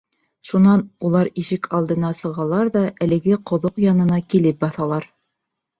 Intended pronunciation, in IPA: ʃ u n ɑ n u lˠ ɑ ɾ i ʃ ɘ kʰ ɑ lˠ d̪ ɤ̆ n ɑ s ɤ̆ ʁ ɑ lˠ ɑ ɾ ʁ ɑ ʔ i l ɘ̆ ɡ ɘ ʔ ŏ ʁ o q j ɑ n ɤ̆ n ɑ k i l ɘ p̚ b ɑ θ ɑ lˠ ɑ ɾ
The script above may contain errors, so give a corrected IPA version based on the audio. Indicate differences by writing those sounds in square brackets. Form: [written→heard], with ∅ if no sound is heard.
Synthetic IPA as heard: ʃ u n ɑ n u lˠ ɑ ɾ i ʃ ɘ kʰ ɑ lˠ d̪ ɤ̆ n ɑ s ɤ̆ ʁ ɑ lˠ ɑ ɾ [ʁ→ð] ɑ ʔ [i→æ] l ɘ̆ ɡ ɘ [ʔ→q] ŏ [ʁ→ð] o q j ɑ n ɤ̆ n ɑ k i l ɘ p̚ b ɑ θ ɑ lˠ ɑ ɾ